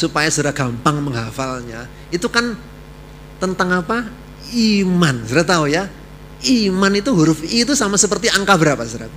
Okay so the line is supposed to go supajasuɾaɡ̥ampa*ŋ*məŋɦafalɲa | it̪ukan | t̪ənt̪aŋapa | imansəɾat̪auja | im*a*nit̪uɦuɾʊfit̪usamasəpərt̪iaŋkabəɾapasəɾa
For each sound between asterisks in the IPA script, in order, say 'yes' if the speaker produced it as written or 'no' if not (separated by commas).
yes, yes